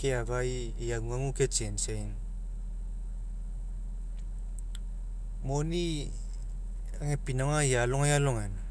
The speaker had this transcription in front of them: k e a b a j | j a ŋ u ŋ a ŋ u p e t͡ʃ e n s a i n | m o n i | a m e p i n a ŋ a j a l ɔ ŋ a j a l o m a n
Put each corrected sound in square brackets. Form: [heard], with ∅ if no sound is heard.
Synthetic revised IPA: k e a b a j | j a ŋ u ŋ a ŋ u [k] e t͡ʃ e n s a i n | m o n i | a [ŋ] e p i n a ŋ a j a l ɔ ŋ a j a l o [ŋ] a n